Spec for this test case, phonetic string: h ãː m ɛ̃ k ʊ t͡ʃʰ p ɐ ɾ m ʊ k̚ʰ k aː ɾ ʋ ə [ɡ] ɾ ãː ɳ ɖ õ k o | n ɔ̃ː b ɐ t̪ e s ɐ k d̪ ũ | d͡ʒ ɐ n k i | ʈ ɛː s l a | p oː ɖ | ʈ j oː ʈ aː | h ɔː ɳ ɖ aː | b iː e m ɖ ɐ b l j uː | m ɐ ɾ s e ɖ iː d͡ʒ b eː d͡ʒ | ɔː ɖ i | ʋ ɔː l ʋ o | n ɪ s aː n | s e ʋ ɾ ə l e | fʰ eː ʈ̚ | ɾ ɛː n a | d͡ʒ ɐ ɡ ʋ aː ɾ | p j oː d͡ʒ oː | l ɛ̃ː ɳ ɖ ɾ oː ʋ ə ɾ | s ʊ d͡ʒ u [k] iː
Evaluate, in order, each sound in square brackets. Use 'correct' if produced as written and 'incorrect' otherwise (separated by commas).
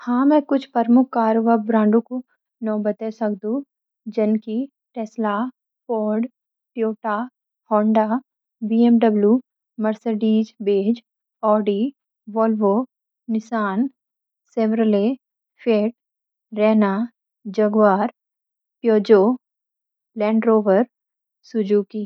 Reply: incorrect, correct